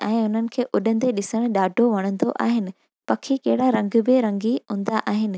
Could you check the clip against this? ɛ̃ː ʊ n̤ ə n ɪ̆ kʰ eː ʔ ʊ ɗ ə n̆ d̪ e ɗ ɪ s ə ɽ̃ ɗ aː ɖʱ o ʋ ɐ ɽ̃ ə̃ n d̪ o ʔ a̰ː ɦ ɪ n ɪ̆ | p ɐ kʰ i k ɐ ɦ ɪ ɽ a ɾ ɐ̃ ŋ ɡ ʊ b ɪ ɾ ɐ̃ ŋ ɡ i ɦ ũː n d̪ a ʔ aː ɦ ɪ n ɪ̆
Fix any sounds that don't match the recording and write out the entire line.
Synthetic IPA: ɛ̃ː ʊ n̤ ə n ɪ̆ kʰ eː ʔ ʊ ɗ ə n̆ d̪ e ɗ ɪ s ə ɽ̃ ɗ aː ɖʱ o ʋ ɐ ɽ̃ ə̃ n d̪ o ʔ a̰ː ɦ ɪ n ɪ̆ | p ɐ kʰ i k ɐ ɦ ɪ ɽ a ɾ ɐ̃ ŋ ɡ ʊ b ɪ ɾ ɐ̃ ŋ ɡ i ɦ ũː n d̪ a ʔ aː ɦ ɪ n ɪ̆